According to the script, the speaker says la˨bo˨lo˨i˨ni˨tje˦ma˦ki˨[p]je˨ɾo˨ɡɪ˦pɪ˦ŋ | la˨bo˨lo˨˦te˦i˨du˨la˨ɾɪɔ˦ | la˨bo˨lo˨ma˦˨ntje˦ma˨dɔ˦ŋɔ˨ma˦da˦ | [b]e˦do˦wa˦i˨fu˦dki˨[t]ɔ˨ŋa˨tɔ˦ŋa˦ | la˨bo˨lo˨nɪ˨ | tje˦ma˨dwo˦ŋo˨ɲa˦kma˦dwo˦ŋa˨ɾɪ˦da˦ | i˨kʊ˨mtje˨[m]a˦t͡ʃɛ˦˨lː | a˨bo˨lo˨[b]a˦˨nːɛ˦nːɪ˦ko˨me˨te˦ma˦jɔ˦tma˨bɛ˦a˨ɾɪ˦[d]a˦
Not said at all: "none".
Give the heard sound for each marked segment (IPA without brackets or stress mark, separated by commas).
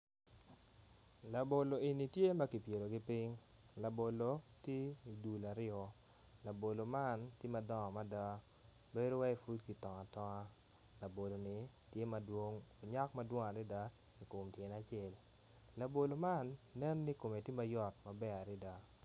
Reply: p, b, t, n, m, d